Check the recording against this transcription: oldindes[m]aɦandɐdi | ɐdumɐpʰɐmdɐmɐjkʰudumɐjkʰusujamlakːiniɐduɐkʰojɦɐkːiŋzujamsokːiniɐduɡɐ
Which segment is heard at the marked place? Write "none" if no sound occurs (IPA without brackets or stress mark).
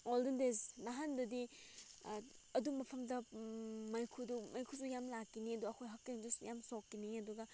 n